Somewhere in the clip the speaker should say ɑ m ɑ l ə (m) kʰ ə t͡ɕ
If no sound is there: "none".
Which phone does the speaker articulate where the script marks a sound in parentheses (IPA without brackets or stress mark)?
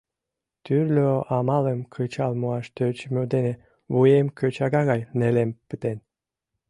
m